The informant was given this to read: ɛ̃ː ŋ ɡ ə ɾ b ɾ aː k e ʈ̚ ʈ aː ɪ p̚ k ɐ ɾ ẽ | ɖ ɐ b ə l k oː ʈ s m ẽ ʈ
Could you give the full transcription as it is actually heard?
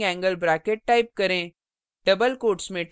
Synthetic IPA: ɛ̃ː ŋ ɡ ə l b ɾ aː k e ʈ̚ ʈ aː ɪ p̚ k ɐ ɾ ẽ | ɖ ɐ b ə l k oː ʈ s m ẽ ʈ